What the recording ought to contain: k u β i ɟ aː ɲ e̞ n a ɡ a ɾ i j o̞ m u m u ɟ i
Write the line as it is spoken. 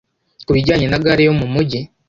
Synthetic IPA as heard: k u β i ɟ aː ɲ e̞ n a ɡ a ɾ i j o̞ m u m u ɟ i